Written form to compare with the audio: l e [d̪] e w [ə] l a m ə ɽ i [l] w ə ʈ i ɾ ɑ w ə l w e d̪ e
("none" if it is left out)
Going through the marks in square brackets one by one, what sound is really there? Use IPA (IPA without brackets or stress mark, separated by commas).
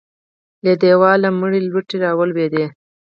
d̪, ɑ, l